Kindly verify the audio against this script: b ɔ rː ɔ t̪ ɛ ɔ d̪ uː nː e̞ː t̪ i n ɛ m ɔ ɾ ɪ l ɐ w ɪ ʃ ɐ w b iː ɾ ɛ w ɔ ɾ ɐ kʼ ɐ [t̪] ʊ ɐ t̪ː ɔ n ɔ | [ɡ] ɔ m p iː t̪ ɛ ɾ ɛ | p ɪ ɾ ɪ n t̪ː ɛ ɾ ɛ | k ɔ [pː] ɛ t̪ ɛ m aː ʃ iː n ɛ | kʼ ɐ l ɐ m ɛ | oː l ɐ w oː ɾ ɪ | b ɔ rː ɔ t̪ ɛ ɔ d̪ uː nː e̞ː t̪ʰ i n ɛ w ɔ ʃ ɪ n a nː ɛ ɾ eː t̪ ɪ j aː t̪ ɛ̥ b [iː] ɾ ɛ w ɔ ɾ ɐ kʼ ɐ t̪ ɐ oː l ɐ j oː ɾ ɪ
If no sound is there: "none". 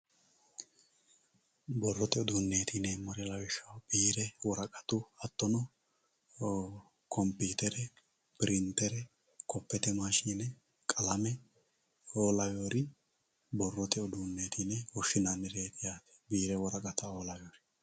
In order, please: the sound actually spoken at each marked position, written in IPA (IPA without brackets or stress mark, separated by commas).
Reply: t̪, k, pː, iː